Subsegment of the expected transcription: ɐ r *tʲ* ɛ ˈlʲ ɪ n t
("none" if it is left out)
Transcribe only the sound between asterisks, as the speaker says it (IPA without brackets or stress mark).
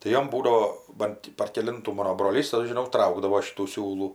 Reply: kʲ